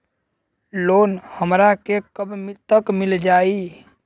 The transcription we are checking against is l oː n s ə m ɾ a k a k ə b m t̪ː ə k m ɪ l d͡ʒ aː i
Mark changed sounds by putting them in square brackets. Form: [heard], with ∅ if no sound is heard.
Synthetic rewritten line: l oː n [h] ə m ɾ a k [e] k ə b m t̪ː ə k m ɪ l d͡ʒ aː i